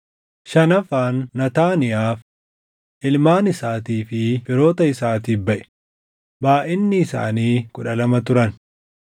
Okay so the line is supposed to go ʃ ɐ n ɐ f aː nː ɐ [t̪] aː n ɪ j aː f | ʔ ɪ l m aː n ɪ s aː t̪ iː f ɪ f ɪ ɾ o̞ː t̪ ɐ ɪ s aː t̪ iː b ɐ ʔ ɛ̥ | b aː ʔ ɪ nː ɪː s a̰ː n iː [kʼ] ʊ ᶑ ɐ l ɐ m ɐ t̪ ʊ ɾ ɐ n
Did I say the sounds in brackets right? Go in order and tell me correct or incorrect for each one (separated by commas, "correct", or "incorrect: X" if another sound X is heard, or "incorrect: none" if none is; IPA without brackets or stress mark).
correct, incorrect: k